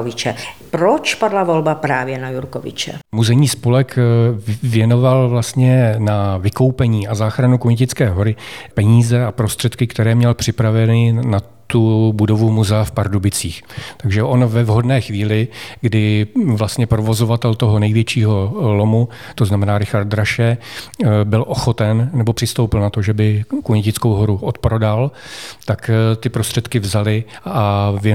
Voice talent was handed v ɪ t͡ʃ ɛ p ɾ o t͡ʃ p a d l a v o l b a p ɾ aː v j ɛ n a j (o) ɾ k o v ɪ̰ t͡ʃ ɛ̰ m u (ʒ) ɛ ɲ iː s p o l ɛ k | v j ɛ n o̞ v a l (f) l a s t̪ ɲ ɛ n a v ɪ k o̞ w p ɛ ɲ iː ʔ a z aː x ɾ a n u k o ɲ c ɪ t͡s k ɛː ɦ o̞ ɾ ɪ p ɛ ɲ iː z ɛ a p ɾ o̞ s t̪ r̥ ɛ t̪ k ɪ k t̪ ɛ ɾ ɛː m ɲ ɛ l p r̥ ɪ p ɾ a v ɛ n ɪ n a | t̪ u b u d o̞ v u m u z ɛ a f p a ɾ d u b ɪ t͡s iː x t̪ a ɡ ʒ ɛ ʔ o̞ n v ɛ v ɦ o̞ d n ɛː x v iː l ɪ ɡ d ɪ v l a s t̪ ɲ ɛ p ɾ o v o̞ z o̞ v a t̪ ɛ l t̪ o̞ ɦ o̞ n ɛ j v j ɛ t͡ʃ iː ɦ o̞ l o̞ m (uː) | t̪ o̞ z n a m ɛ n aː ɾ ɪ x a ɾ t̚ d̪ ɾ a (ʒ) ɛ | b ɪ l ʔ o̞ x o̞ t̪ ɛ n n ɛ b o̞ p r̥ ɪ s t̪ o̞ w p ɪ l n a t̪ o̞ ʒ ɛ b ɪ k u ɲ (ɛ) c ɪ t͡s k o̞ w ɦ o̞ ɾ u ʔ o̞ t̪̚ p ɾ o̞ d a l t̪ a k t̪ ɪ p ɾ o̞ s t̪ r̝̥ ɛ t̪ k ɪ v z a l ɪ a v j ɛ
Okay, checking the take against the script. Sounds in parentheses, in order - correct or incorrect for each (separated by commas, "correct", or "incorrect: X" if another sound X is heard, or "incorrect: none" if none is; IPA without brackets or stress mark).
incorrect: u, incorrect: z, incorrect: v, incorrect: u, incorrect: ʃ, correct